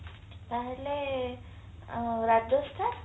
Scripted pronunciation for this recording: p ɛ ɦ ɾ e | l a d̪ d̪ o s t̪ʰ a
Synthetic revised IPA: p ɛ ɦ l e | ɾ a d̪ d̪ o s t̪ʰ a